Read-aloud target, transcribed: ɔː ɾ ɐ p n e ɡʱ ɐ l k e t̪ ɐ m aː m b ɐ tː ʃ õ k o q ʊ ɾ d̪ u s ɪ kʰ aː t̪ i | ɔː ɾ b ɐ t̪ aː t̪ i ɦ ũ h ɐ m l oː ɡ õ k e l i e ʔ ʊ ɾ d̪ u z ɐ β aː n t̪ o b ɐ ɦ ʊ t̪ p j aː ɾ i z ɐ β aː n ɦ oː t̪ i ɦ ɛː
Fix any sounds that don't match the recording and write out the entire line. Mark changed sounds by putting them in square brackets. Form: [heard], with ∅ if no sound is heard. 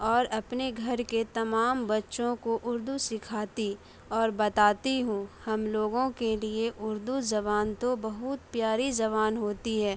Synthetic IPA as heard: ɔː ɾ ɐ p n e ɡʱ ɐ [ɾ] k e t̪ ɐ m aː m b ɐ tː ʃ õ k o [ʔ] ʊ ɾ d̪ u s ɪ kʰ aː t̪ i | ɔː ɾ b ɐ t̪ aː t̪ i ɦ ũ h ɐ m l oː ɡ õ k e l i e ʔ ʊ ɾ d̪ u z ɐ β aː n t̪ o b ɐ ɦ ʊ t̪ p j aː ɾ i z ɐ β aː n ɦ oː t̪ i ɦ ɛː